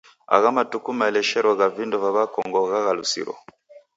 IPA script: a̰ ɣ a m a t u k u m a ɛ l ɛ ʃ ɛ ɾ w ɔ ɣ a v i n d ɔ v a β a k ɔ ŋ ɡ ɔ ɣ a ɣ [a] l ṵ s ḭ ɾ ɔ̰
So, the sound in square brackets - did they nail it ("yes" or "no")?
yes